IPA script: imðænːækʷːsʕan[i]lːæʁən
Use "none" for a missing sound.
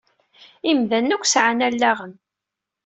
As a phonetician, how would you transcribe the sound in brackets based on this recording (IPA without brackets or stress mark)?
æ